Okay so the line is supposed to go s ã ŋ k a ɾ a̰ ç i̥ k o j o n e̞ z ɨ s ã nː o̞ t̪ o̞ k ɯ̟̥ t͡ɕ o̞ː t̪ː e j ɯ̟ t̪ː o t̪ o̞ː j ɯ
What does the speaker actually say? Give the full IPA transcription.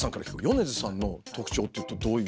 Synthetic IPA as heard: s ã ŋ k a ɾ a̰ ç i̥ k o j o n e̞ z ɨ s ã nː o̞ t̪ o̞ k ɯ̟̥ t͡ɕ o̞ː t̪ː e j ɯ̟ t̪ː o d̪ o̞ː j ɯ